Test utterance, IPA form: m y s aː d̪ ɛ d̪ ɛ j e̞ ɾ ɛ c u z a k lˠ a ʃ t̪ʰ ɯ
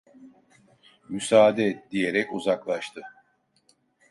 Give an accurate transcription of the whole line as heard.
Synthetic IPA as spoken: m y s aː d̪ ɛ d̪ i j e̞ ɾ ɛ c u z a k lˠ a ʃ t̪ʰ ɯ